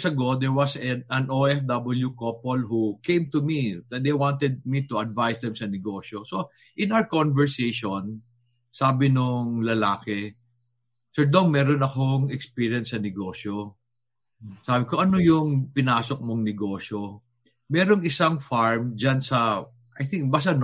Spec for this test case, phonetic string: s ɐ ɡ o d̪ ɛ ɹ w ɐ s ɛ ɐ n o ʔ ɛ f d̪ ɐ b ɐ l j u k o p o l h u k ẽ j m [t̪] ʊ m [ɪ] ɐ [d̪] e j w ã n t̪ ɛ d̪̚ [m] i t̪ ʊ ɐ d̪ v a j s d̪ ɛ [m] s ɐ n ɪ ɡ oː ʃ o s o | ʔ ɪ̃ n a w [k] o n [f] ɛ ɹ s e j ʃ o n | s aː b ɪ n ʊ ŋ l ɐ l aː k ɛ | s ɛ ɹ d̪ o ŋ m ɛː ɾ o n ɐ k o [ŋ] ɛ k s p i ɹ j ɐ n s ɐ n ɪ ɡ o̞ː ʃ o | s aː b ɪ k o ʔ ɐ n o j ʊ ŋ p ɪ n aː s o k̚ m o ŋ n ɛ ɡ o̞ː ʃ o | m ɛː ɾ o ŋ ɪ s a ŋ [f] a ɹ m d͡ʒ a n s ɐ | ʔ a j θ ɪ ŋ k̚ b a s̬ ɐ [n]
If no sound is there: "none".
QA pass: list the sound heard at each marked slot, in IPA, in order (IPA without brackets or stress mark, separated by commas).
t̪, i, d̪, m, m, k, v, ŋ, f, n